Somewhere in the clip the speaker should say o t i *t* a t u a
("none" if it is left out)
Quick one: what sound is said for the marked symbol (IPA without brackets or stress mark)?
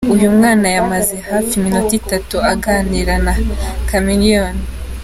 t